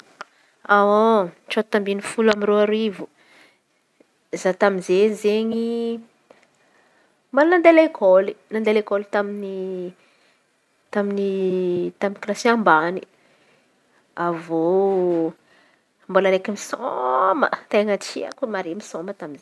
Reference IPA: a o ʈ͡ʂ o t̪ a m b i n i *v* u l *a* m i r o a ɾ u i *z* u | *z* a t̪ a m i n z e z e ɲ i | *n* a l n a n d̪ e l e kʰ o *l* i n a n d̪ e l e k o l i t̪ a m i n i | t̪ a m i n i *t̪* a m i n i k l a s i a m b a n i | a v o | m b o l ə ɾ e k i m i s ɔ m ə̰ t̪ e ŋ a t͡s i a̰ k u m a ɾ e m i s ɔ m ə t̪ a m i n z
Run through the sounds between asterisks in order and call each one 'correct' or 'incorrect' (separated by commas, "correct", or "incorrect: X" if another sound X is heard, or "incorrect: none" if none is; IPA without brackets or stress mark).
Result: incorrect: f, correct, incorrect: v, correct, incorrect: m, correct, correct